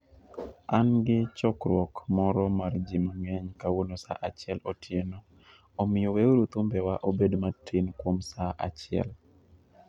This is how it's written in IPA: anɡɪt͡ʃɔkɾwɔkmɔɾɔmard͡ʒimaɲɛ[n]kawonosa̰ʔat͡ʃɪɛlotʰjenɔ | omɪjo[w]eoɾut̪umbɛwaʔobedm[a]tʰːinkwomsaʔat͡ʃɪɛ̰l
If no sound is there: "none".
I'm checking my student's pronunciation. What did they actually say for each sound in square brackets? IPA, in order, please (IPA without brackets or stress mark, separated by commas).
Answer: ɲ, w, a